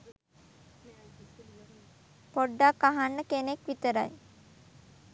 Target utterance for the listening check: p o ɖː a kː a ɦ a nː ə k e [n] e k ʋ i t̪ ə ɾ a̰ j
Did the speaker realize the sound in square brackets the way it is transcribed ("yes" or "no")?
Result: yes